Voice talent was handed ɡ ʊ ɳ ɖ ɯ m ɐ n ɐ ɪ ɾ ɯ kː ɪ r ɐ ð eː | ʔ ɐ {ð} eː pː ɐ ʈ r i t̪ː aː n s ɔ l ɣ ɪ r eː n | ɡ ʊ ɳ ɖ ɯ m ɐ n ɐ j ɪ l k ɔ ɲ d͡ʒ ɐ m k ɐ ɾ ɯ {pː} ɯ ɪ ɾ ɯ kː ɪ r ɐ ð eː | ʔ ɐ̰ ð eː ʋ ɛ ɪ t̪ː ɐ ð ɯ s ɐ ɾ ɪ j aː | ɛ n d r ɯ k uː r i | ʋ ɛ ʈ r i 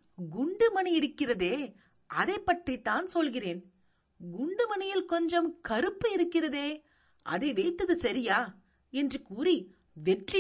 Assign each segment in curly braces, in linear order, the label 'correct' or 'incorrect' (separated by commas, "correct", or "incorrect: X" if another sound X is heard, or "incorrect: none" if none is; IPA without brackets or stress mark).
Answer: correct, correct